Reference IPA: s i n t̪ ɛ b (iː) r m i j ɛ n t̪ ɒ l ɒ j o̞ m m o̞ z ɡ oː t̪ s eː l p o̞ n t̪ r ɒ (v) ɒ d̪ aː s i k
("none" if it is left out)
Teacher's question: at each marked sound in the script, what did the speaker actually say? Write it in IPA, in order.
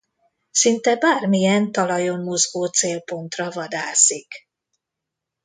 aː, v

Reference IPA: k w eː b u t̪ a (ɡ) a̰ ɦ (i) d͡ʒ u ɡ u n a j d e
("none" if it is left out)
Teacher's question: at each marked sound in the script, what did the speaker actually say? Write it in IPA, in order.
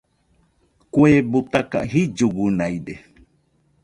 k, i

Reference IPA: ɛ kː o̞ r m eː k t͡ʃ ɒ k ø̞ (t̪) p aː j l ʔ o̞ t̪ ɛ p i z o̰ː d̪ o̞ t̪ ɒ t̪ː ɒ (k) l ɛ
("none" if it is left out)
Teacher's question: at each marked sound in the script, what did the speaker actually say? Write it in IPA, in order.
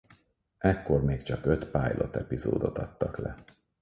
t̪, k

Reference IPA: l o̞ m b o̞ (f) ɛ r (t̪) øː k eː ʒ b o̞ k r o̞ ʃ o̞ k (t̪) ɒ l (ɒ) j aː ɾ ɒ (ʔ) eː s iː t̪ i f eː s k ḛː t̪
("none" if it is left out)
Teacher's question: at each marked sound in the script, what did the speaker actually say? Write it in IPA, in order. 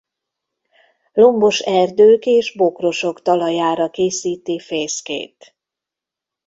ʃ, d̪, t̪, ɒ, k

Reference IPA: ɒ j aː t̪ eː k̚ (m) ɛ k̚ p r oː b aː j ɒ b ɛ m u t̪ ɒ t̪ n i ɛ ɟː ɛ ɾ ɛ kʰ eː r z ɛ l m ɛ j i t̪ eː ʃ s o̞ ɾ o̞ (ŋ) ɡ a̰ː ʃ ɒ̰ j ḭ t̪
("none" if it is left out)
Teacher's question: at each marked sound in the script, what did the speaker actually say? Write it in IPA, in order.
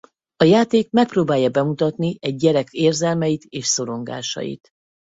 m, ŋ

